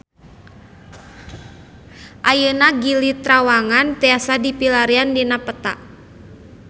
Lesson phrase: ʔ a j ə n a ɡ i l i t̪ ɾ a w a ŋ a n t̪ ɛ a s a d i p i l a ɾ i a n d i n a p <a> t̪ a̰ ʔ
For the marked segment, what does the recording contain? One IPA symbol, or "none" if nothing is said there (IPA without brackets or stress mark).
ə